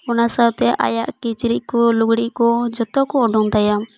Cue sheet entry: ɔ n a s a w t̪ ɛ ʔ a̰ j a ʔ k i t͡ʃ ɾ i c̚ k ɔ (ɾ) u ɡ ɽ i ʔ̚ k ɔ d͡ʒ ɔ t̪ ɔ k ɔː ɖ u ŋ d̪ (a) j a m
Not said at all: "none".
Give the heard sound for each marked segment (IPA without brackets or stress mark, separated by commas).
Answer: l, a